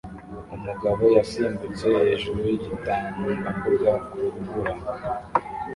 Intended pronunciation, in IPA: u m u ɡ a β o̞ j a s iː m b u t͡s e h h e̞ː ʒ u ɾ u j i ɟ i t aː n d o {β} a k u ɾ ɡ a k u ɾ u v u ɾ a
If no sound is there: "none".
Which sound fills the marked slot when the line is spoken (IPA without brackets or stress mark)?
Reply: none